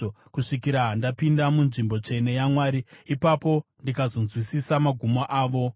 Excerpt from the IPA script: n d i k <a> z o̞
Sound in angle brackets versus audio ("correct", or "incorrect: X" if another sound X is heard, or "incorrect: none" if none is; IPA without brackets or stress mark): correct